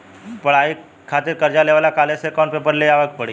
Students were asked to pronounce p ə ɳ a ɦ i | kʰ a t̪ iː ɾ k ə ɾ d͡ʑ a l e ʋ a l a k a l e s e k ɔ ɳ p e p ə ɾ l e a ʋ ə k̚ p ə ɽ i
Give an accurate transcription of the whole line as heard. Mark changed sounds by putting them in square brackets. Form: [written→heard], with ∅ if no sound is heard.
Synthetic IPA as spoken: p ə ɳ a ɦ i | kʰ a t̪ iː ɾ k ə ɾ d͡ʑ a l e ʋ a l a k a l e s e k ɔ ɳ p e p ə ɾ l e a ʋ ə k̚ p ə ɽ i